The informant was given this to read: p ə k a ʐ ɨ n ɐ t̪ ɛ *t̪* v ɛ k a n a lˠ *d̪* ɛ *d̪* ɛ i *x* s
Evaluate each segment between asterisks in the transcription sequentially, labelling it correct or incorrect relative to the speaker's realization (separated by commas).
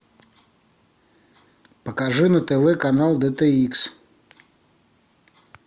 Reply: incorrect, correct, incorrect, incorrect